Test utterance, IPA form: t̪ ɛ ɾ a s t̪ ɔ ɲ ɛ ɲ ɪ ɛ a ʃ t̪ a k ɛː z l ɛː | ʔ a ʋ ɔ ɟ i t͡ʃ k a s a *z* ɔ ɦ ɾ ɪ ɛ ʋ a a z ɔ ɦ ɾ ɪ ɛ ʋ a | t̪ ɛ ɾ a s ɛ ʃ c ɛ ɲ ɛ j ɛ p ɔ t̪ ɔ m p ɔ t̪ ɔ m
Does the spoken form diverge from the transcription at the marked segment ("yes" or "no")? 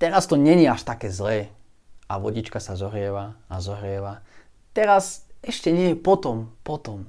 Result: no